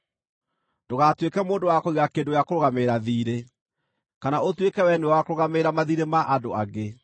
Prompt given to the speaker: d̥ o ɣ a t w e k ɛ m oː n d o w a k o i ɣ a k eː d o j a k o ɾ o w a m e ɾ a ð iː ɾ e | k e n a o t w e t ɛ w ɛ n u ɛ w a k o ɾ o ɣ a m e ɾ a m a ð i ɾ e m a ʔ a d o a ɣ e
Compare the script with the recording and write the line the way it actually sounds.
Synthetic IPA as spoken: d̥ o ɣ a t w e k ɛ m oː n d o w a k o i ɣ a k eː d o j a k o ɾ o ɣ a m e ɾ a ð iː ɾ e | k a n a o t w e k ɛ w ɛ n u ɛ w a k o ɾ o ɣ a m e ɾ a m a ð i ɾ e m a ʔ a d o a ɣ e